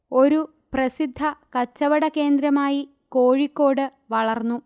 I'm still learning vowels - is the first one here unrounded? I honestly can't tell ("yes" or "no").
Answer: no